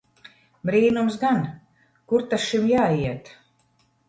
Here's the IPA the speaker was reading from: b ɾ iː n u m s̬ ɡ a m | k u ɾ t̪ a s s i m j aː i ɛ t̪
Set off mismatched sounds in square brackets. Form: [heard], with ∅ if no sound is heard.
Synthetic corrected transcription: b ɾ iː n u m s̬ ɡ a [n] | k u ɾ t̪ a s [ʃ] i m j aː i ɛ t̪